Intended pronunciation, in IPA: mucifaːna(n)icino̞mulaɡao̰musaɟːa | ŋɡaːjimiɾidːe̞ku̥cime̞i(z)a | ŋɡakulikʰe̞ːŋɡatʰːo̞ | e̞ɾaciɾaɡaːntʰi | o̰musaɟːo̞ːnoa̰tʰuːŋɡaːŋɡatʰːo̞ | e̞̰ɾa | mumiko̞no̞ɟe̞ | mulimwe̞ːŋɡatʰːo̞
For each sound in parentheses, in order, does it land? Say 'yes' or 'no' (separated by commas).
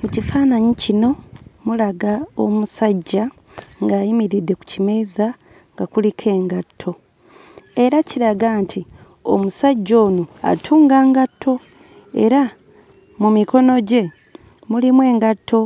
no, yes